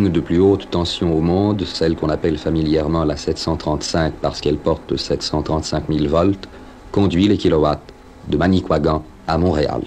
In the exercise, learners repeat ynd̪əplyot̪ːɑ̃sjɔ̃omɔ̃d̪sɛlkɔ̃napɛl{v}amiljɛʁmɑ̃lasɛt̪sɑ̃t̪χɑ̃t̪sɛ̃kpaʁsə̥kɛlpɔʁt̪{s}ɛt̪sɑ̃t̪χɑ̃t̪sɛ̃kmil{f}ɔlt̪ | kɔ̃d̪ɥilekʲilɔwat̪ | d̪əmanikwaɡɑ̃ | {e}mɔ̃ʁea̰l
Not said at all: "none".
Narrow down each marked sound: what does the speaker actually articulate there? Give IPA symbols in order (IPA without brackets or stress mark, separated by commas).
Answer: f, s, v, a